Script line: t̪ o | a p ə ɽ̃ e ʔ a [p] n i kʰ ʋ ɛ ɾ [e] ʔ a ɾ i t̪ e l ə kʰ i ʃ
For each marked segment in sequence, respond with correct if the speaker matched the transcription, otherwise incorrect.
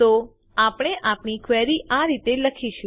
correct, incorrect

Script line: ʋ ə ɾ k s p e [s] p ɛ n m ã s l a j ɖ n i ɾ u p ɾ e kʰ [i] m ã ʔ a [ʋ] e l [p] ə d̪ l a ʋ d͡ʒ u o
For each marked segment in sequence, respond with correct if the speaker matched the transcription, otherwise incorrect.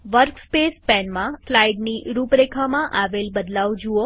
correct, incorrect, correct, incorrect

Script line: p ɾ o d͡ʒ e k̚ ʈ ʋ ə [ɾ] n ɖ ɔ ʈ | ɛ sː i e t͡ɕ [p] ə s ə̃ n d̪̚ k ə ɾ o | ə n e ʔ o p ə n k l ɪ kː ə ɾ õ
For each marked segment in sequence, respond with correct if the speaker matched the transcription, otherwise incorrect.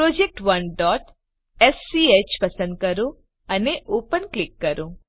incorrect, correct

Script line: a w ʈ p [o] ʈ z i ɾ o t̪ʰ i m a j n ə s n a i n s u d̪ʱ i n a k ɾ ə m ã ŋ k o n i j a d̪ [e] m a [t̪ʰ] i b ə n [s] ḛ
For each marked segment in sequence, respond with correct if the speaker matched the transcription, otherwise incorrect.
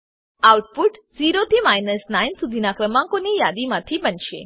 incorrect, incorrect, correct, incorrect

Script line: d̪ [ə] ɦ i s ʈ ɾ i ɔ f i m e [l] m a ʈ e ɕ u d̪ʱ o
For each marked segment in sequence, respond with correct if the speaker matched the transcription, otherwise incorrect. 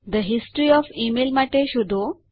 correct, correct

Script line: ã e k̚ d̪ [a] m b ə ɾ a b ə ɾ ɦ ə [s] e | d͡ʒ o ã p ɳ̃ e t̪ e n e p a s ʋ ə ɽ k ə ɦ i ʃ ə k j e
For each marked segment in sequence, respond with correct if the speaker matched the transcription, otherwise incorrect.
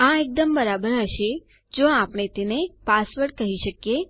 incorrect, incorrect

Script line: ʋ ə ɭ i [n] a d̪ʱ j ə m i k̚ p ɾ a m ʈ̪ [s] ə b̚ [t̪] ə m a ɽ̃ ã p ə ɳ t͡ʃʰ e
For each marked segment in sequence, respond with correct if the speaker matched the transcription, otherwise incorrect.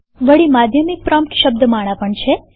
incorrect, incorrect, incorrect

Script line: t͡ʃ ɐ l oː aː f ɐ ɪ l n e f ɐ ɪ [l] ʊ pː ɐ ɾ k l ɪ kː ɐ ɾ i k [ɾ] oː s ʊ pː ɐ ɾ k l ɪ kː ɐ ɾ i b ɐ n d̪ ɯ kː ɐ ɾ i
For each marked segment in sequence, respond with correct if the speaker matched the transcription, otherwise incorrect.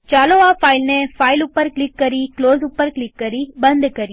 correct, incorrect

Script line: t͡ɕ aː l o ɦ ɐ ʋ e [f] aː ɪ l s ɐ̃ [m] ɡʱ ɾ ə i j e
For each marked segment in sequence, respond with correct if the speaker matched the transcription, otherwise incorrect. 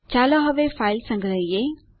correct, incorrect

